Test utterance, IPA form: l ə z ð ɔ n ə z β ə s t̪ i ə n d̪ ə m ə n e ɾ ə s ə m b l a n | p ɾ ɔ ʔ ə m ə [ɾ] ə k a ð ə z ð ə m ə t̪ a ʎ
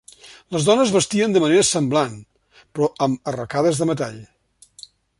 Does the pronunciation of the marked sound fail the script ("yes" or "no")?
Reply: yes